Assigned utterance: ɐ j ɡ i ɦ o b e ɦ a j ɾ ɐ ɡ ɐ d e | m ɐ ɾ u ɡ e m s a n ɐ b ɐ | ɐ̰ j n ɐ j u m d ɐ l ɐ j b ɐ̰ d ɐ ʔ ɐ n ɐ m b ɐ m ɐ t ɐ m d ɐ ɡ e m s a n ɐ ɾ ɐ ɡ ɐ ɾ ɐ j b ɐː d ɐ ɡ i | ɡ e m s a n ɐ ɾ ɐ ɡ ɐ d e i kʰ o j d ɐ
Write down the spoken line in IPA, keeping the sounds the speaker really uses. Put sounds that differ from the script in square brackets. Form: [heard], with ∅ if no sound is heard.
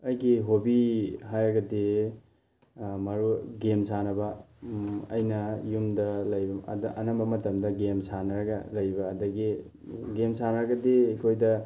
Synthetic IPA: ɐ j ɡ i ɦ o b [i] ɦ a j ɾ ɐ ɡ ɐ d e | m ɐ ɾ u ɡ e m s a n ɐ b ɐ | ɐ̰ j n ɐ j u m d ɐ l ɐ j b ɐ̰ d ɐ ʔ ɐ n ɐ m b ɐ m ɐ t ɐ m d ɐ ɡ e m s a n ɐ ɾ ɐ ɡ ɐ [l] ɐ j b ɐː d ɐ ɡ i | ɡ e m s a n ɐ ɾ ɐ ɡ ɐ d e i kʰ o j d ɐ

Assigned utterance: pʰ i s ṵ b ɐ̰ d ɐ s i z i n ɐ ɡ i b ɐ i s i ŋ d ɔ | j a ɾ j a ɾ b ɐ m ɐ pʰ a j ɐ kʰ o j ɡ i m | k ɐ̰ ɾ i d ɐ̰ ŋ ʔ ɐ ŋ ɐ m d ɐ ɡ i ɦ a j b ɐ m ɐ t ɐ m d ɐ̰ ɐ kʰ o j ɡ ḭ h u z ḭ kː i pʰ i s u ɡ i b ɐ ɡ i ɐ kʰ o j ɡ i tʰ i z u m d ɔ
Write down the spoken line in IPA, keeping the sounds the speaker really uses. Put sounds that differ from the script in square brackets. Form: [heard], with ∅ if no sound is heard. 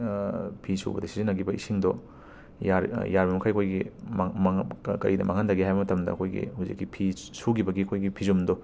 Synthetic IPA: pʰ i s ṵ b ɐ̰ d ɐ s i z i n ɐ ɡ i b ɐ i s i ŋ d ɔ | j a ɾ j a ɾ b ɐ m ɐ [kʰ] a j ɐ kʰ o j ɡ i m | k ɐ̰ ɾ i d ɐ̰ [m] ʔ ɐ ŋ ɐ [n] d ɐ ɡ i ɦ a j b ɐ m ɐ t ɐ m d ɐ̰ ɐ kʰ o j ɡ ḭ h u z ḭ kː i pʰ i s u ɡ i b ɐ ɡ i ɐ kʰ o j ɡ i [pʰ] i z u m d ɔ

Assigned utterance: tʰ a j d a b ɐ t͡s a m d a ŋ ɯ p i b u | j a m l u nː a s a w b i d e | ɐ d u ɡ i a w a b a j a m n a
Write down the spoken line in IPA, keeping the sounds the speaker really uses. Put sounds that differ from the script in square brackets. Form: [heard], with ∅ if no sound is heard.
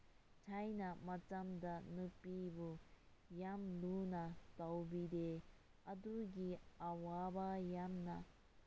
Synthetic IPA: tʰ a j [n] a [m] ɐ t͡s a m d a [n] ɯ p i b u | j a m l u [n] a [t] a w b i d e | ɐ d u ɡ i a w a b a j a m n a

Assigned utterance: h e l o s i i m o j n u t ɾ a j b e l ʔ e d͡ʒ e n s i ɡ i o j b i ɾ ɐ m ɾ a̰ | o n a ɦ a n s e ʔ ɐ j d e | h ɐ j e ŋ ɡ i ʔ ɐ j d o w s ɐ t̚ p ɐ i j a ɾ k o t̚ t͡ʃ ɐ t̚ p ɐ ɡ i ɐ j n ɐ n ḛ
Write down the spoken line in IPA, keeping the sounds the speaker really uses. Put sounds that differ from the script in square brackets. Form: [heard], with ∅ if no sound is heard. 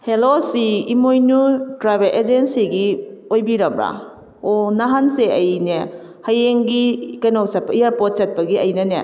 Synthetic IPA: h e l o s i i m o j n u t ɾ a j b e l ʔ e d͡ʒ e n s i ɡ i o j b i ɾ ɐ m ɾ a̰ | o n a ɦ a n s e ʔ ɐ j [n] e | h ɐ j e ŋ ɡ i [k] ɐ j [n] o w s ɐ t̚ p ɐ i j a ɾ [p] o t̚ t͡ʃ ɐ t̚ p ɐ ɡ i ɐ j n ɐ n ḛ

